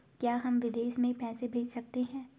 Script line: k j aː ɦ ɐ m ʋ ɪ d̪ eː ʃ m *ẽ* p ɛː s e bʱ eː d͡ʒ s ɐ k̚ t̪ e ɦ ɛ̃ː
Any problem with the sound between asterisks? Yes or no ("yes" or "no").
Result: no